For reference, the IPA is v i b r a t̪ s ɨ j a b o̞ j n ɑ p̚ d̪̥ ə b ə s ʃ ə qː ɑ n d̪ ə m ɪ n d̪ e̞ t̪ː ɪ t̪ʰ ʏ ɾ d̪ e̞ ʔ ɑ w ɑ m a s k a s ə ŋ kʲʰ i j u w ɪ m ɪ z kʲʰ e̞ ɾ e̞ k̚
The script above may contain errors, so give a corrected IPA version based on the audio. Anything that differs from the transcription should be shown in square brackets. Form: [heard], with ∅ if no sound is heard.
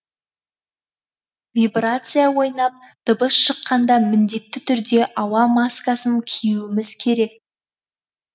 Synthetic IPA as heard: v i b r a t̪ s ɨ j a [w] o̞ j n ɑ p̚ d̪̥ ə b ə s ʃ ə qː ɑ n d̪ [ɑ] m ɪ n d̪ e̞ t̪ː ɪ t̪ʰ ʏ ɾ d̪ e̞ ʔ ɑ w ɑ m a s k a s ə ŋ kʲʰ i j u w ɪ m ɪ z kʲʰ e̞ ɾ e̞ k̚

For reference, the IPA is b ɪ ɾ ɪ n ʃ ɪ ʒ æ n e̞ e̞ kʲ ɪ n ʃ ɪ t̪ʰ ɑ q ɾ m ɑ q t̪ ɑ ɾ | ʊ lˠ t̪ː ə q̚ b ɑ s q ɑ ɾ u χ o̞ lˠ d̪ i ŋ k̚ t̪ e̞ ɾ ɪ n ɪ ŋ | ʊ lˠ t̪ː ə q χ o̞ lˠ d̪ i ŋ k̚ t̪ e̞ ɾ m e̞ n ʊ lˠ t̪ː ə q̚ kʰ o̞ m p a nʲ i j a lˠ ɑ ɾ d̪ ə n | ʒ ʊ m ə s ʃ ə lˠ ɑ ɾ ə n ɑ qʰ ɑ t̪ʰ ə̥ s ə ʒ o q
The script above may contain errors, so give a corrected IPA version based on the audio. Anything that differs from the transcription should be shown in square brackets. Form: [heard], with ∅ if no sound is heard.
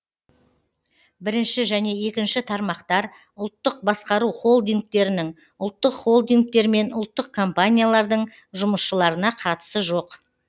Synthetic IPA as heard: b ɪ ɾ ɪ n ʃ ɪ ʒ æ n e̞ e̞ kʲ ɪ n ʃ ɪ t̪ʰ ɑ [∅] ɾ m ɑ q t̪ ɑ ɾ | ʊ lˠ t̪ː ə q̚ b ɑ s q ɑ ɾ u χ o̞ lˠ d̪ i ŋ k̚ t̪ e̞ ɾ ɪ n ɪ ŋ | ʊ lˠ t̪ː ə q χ o̞ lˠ d̪ i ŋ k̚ t̪ e̞ ɾ m e̞ n ʊ lˠ t̪ː ə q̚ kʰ o̞ m p a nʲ i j a lˠ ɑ ɾ d̪ ə [ɴ] | ʒ ʊ m ə s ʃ ə lˠ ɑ ɾ ə n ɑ qʰ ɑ [t̪] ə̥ s ə ʒ o q

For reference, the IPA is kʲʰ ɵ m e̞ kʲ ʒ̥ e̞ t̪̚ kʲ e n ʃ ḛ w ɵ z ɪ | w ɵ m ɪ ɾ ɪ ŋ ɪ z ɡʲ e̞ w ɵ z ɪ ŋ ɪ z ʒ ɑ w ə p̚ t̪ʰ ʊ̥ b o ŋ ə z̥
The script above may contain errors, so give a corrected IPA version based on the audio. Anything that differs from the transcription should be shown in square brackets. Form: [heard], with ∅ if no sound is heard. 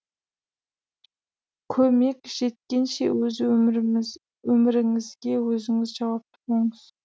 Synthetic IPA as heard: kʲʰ ɵ m e̞ kʲ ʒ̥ e̞ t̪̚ kʲ e n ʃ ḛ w ɵ z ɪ | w ɵ m ɪ ɾ ɪ ŋ ɪ z ɡʲ e̞ w ɵ z ɪ ŋ ɪ z ʒ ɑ w [ɑ] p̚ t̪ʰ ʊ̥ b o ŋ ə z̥

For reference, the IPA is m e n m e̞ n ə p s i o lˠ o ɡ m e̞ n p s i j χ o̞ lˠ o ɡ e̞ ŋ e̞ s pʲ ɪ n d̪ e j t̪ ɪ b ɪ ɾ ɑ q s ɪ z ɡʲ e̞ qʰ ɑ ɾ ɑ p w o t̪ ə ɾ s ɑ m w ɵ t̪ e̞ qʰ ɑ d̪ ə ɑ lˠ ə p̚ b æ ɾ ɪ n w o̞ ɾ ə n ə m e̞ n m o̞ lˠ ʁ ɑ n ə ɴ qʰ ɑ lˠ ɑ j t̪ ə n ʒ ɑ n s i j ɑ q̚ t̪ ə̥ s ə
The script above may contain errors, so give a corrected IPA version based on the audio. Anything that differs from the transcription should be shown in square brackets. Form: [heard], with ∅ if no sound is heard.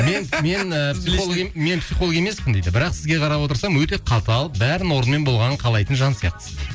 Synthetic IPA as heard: m e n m e̞ n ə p s i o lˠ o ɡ m e̞ n p s i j χ o̞ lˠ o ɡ e̞ [m] e̞ s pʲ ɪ n d̪ e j [d̪] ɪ b ɪ ɾ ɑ q s ɪ z ɡʲ e̞ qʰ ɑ ɾ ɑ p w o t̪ ə ɾ s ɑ m w ɵ t̪ e̞ qʰ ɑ [t̪] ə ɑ lˠ ə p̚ b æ ɾ ɪ n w o̞ ɾ ə n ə m e̞ n [b] o̞ lˠ ʁ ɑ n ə ɴ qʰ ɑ lˠ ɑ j t̪ ə n ʒ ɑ n s i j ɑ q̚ t̪ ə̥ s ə

